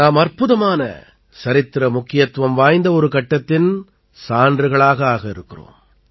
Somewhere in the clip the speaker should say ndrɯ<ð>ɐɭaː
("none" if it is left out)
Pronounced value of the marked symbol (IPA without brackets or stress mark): ɣ